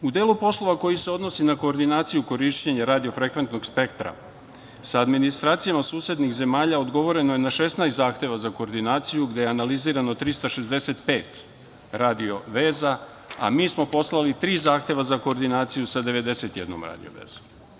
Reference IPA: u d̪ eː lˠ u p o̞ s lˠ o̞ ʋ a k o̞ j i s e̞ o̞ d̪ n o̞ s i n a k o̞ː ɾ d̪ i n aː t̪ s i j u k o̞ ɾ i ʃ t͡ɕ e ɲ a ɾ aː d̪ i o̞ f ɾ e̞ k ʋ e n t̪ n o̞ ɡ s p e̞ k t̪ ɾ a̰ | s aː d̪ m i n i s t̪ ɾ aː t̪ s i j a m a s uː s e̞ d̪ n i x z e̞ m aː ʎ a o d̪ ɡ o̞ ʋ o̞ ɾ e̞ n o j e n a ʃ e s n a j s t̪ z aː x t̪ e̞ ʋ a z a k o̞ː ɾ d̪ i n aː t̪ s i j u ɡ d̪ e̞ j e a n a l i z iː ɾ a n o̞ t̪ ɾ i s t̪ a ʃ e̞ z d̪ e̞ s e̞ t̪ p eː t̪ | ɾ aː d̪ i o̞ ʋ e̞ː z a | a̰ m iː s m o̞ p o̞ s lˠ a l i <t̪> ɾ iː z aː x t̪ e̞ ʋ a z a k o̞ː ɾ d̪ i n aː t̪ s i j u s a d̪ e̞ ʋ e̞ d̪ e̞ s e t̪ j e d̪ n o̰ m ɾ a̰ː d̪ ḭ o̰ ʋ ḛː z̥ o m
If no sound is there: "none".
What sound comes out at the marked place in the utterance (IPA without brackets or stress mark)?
t̪